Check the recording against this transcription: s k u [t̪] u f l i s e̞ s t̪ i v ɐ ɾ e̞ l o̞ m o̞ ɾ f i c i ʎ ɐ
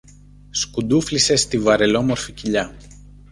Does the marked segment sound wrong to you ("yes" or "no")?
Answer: yes